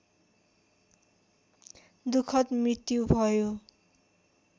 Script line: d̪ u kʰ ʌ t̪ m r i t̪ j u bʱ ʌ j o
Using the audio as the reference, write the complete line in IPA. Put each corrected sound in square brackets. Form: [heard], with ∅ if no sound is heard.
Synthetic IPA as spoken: d̪ u kʰ ʌ t̪ m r i t̪ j u bʱ ʌ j o